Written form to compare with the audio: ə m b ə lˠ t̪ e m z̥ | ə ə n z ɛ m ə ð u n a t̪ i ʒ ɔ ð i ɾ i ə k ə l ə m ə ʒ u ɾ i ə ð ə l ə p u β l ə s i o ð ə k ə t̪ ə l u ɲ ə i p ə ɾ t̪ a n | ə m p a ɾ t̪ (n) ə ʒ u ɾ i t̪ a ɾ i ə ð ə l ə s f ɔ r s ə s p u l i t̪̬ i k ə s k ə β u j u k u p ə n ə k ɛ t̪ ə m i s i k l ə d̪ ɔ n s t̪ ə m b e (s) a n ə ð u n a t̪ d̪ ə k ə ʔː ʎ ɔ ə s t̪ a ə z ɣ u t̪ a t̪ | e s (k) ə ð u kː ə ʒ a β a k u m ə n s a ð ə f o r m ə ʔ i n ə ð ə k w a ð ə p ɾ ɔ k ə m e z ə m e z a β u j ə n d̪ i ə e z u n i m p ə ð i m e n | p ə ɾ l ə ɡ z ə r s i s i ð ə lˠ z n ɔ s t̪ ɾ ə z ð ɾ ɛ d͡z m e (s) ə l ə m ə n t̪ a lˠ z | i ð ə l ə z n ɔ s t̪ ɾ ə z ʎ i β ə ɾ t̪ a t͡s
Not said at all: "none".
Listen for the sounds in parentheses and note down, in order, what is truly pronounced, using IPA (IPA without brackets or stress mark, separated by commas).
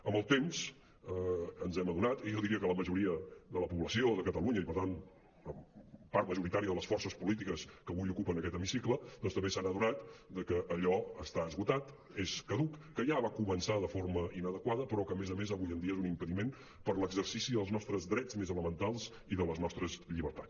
m, s, k, z